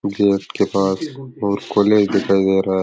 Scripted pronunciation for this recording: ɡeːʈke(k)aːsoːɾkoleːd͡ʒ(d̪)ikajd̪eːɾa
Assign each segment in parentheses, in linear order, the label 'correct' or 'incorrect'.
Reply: incorrect: p, correct

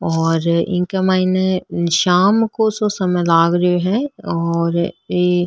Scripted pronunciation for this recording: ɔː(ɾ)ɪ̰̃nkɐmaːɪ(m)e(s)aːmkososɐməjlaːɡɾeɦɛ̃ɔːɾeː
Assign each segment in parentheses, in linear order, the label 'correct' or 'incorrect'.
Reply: correct, incorrect: n, incorrect: ʃ

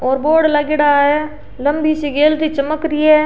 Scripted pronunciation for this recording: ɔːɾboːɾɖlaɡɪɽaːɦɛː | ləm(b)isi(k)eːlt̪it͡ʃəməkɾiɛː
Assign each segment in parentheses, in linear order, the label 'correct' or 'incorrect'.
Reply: correct, incorrect: ɡ

